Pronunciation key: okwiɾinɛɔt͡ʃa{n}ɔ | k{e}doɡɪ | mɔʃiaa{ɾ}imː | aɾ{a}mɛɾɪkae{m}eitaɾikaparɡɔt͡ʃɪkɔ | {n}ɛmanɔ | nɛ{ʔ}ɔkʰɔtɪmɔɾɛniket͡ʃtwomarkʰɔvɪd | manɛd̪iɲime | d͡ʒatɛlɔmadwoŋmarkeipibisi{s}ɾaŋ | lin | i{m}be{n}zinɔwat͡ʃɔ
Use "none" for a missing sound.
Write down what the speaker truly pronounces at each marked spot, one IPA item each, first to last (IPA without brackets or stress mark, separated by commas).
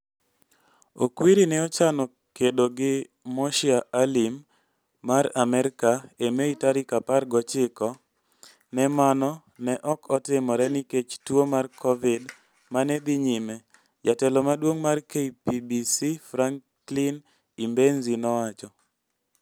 n, e, l, a, m, n, ʔ, f, m, n